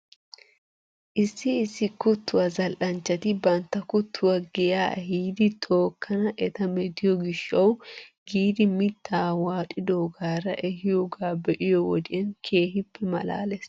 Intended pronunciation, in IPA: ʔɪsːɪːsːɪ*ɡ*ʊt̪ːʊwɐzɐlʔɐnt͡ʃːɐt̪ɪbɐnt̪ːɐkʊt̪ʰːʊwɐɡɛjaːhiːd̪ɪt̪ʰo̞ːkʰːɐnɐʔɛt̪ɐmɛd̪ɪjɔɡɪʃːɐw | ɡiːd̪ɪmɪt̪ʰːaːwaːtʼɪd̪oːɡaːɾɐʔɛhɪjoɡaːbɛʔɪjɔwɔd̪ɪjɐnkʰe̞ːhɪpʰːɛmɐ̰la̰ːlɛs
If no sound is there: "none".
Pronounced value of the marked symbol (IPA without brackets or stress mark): k